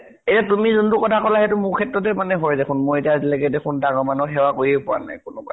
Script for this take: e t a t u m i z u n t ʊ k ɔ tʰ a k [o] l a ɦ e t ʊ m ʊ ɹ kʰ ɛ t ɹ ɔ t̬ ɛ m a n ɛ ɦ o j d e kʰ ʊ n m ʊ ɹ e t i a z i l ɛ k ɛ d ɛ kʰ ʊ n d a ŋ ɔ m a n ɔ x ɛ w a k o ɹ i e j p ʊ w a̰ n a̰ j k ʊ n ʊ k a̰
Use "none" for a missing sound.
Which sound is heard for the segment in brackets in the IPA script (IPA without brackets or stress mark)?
ɔ